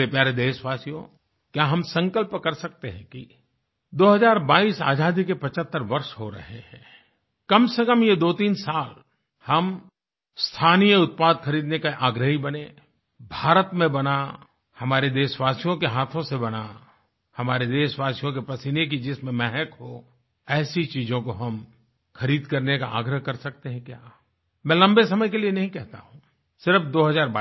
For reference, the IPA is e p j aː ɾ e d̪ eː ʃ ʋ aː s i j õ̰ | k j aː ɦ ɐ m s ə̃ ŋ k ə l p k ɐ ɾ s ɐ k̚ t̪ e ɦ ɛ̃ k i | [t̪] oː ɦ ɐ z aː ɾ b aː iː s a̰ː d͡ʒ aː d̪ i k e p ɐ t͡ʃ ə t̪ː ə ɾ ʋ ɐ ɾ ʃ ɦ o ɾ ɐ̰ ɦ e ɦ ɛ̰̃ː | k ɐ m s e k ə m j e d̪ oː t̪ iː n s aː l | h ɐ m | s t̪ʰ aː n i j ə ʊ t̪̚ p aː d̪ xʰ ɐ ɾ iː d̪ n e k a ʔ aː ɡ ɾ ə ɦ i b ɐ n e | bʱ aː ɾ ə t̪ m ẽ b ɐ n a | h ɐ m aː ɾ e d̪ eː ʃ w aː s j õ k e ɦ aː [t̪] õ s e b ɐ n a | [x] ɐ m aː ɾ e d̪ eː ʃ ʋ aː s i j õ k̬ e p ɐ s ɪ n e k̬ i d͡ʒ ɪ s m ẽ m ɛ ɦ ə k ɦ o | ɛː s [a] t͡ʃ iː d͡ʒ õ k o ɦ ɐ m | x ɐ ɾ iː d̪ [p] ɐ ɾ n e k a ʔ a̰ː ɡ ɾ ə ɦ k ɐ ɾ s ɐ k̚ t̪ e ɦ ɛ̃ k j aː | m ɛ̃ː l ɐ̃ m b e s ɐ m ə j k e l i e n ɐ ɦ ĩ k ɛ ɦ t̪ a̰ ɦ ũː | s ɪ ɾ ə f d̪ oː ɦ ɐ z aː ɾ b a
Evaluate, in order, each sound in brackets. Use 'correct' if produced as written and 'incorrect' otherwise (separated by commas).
incorrect, incorrect, incorrect, incorrect, incorrect